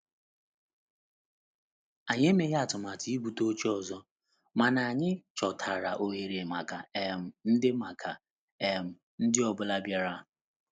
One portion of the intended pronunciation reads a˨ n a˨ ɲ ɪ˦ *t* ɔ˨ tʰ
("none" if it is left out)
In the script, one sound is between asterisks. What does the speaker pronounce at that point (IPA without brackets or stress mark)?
t͡ʃ